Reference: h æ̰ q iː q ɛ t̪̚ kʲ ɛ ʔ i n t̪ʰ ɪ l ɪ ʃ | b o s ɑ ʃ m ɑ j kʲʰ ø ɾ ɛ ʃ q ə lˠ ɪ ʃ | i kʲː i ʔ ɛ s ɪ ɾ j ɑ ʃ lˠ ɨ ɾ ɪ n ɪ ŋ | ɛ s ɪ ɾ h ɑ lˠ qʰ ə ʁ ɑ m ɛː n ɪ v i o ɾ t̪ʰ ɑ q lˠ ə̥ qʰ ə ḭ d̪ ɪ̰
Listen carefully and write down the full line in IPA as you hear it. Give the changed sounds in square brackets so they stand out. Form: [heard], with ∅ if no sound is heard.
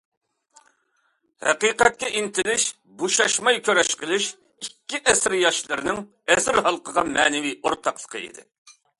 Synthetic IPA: h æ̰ q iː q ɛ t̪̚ kʲ ɛ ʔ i n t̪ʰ ɪ l ɪ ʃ | b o [ʃ] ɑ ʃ m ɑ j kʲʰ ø ɾ ɛ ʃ q ə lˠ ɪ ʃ | i kʲː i ʔ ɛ s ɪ ɾ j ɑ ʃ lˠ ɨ ɾ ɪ n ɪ ŋ | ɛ s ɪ ɾ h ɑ lˠ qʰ ə ʁ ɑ m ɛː n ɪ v i o ɾ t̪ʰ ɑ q lˠ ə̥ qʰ ə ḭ d̪ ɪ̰